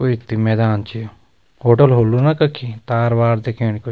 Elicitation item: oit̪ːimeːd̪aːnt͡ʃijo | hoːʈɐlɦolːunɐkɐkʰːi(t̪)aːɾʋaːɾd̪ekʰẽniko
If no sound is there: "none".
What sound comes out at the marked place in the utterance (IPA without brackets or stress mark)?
t̪